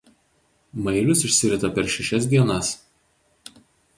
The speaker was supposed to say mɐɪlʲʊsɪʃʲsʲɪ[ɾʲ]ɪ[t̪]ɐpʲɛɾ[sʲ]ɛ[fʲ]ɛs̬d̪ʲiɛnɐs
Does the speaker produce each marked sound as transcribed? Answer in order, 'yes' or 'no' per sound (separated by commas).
yes, yes, no, no